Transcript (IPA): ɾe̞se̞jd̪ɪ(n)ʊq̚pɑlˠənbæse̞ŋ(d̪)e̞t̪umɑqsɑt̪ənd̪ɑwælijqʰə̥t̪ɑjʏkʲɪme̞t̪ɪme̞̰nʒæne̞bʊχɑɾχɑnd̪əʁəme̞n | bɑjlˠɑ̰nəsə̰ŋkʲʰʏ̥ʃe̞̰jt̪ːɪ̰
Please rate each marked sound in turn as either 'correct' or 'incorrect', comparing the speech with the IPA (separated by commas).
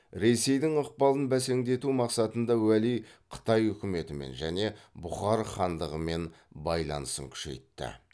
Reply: incorrect, correct